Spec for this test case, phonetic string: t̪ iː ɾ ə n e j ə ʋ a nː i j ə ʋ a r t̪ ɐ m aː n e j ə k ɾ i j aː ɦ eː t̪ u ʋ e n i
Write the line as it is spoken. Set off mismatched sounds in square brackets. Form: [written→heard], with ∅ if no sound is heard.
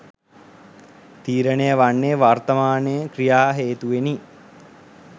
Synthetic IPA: t̪ iː ɾ ə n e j ə ʋ a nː [i→e] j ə ʋ a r t̪ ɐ m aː n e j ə k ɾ i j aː ɦ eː t̪ u ʋ e n i

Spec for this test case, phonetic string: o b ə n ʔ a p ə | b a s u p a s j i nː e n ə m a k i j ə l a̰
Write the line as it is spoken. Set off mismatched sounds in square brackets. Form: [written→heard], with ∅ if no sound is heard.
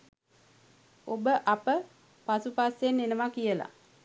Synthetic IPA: o b ə [n→∅] ʔ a p ə | [b→p] a s u p a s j [i→e] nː e n ə m a k i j ə l a̰

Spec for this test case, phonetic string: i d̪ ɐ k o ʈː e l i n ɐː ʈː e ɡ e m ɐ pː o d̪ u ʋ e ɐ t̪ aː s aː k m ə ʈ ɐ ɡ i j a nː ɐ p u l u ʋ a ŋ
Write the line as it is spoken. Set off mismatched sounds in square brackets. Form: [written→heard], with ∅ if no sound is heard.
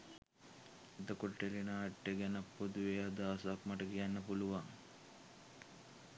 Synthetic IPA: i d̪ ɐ k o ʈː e l i n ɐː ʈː e ɡ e [m→n] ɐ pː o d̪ u ʋ e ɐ [t̪→d̪] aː s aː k m [ə→ɐ] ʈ ɐ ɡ i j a nː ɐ p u l u ʋ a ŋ

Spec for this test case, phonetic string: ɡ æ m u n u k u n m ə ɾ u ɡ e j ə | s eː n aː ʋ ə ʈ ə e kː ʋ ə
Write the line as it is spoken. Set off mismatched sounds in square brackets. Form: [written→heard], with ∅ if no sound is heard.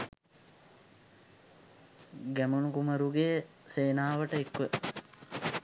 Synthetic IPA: ɡ æ m u n u k u [n→∅] m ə ɾ u ɡ e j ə | s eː n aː ʋ ə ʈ ə e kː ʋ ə

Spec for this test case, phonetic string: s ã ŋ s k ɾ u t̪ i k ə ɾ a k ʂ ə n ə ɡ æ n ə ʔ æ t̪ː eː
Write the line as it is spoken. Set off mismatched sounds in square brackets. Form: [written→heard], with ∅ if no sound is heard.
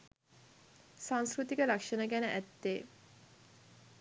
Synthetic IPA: s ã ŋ s k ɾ u t̪ i k ə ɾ a k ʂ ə n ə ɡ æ n ə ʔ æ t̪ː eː

